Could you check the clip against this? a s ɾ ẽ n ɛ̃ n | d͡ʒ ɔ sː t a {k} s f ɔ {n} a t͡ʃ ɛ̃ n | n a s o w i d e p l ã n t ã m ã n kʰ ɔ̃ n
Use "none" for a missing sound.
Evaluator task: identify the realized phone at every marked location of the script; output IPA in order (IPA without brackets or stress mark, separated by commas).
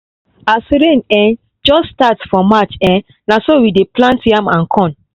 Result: t, m